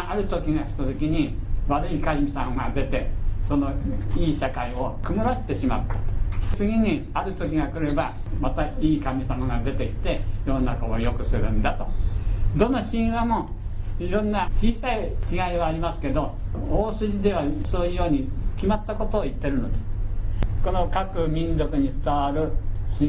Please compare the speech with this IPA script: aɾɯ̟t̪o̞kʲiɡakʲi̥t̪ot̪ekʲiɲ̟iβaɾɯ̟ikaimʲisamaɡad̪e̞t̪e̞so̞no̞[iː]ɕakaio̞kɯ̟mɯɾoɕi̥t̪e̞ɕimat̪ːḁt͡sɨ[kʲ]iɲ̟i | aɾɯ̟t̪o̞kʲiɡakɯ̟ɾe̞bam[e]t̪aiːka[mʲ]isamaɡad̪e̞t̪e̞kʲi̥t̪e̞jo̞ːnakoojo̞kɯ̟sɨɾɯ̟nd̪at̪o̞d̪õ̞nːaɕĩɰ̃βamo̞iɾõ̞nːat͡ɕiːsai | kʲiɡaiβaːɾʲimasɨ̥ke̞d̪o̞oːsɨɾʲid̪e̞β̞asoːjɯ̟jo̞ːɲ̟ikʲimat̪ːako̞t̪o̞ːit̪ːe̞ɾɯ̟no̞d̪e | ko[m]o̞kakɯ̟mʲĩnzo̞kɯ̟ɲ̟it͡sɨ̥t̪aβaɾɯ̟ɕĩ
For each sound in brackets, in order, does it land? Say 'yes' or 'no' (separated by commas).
yes, no, no, yes, no